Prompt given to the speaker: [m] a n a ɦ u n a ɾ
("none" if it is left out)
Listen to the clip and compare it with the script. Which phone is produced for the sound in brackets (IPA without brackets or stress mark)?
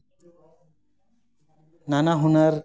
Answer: n